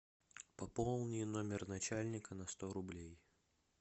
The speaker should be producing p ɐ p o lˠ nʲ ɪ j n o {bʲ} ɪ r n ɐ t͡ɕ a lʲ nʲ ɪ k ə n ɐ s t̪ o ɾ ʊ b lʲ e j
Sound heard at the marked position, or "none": mʲ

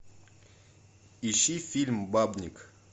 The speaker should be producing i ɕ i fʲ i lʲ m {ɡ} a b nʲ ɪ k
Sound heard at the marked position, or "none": b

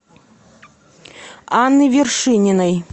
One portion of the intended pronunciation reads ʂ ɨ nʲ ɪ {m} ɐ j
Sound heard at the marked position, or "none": n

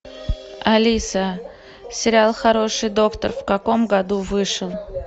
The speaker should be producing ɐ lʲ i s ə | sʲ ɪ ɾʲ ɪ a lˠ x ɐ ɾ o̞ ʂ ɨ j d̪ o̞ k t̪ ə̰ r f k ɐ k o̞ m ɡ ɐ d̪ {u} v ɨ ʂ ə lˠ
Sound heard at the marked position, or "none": u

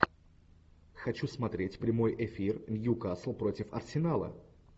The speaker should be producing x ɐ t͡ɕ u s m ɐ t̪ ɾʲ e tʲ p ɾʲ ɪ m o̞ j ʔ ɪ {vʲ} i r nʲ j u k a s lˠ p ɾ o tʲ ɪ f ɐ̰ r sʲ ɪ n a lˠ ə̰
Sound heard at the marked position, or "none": fʲ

